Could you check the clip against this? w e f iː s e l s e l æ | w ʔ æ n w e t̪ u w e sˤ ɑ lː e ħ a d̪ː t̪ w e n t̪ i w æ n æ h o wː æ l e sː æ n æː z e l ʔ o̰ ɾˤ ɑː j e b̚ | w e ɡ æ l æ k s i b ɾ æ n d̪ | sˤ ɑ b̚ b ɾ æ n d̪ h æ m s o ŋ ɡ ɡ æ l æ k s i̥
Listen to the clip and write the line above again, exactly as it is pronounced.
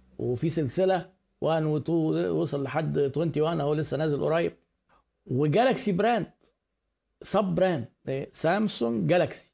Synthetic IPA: w e f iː s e l s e l æ | w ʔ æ n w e t̪ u w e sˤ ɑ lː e ħ a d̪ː t̪ w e n t̪ i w æ n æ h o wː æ l e sː æ n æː z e l ʔ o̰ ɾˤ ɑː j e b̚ | w e ɡ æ l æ k s i b ɾ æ n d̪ | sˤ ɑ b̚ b ɾ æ n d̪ s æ m s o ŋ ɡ ɡ æ l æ k s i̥